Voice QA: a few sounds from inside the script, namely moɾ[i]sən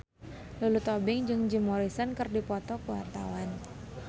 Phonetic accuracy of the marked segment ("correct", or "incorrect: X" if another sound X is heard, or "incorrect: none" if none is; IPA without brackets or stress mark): correct